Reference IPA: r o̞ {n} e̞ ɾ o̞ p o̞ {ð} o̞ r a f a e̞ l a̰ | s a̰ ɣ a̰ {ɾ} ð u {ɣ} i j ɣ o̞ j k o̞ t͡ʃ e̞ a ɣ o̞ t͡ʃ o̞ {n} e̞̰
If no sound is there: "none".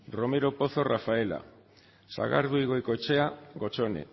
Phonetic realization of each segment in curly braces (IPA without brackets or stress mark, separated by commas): m, θ, ɾ, none, n